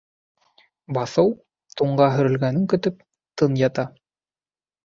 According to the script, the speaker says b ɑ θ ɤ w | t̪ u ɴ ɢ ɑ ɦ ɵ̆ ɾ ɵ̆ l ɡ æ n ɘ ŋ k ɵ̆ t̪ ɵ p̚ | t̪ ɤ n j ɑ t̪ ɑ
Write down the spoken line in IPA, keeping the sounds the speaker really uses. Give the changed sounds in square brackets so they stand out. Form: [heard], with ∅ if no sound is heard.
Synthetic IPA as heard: b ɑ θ ɤ w | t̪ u ɴ ɢ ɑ ɦ ɵ̆ ɾ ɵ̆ l ɡ æ n ɘ ŋ k ɵ̆ t̪ ɵ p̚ | t̪ ɤ n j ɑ t̪ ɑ